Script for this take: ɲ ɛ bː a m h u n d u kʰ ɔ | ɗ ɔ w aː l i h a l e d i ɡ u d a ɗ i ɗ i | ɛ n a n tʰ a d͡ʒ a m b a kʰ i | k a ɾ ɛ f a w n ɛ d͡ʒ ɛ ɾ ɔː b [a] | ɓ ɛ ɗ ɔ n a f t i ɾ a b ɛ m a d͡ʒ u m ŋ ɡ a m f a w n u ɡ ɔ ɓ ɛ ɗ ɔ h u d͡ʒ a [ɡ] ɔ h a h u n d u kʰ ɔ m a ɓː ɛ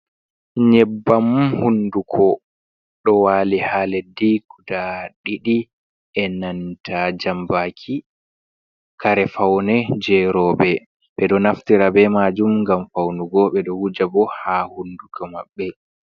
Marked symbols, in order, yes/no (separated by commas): no, no